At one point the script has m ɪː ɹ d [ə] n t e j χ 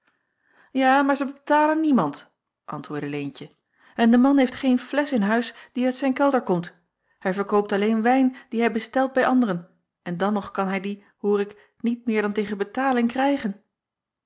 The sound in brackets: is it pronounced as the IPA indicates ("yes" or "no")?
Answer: no